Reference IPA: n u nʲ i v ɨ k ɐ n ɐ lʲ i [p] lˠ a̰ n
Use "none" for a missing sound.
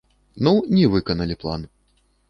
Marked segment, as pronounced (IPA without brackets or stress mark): p